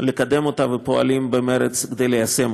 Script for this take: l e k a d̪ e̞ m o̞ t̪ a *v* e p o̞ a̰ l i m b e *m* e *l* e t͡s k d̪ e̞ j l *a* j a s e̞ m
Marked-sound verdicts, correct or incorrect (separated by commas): correct, correct, incorrect, incorrect